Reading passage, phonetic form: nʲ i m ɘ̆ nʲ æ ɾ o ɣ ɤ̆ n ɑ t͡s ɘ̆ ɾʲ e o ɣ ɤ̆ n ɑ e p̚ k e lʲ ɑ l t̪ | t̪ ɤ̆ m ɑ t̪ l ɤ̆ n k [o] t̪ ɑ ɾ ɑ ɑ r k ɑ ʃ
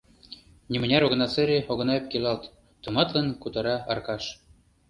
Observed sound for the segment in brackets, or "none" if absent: u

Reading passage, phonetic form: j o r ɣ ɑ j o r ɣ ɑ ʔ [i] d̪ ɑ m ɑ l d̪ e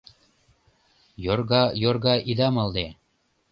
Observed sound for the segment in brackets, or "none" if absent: i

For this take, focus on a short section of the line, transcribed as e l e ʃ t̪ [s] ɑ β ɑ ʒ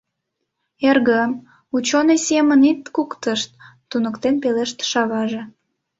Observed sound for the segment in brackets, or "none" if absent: ʃ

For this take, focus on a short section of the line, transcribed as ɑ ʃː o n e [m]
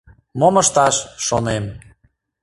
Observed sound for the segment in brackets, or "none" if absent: m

